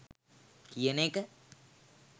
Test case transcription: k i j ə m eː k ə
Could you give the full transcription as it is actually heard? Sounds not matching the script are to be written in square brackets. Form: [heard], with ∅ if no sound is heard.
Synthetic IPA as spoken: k i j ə [n] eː k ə